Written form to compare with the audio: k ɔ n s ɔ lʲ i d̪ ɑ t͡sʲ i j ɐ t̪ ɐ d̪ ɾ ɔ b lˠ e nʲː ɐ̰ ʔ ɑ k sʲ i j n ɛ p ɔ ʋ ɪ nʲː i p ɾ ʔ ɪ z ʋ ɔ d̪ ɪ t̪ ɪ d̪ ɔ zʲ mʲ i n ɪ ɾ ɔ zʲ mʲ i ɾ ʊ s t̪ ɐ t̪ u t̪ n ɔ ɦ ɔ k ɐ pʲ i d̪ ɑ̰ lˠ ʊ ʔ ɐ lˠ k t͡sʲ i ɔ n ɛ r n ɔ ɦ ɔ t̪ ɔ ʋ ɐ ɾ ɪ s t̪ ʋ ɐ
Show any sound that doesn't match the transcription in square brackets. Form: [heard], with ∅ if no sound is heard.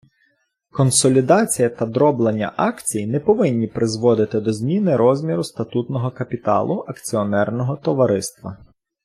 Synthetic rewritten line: k ɔ n s ɔ lʲ i d̪ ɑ t͡sʲ i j ɐ t̪ ɐ d̪ ɾ ɔ b lˠ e nʲː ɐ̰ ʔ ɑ k [t͡sʲ] i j n ɛ p ɔ ʋ ɪ nʲː i p ɾ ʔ ɪ z ʋ ɔ d̪ ɪ t̪ ɪ d̪ ɔ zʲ mʲ i n ɪ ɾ ɔ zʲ mʲ i ɾ ʊ s t̪ ɐ t̪ u t̪ n ɔ ɦ ɔ k ɐ pʲ i [t̪] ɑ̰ lˠ ʊ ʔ ɐ [∅] k t͡sʲ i ɔ n ɛ r n ɔ ɦ ɔ t̪ ɔ ʋ ɐ ɾ ɪ s t̪ ʋ ɐ